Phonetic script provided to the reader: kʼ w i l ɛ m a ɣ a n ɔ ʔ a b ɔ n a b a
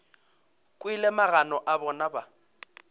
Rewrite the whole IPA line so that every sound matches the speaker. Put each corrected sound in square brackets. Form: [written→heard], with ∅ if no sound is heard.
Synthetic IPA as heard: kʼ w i l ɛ m a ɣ a n ɔ ʔ a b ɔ n a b a